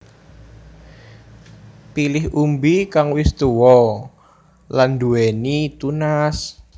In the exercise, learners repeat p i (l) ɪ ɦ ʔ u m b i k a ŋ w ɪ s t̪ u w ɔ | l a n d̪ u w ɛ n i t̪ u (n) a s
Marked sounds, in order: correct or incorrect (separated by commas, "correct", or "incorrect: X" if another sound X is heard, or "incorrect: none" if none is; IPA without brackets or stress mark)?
correct, correct